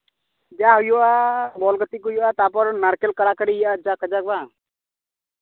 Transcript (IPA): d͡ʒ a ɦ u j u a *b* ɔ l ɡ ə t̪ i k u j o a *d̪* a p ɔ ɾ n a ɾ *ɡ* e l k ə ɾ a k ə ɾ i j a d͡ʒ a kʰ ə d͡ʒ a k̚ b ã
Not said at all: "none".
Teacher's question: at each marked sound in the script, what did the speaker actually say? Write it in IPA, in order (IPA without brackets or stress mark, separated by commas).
b, t̪, k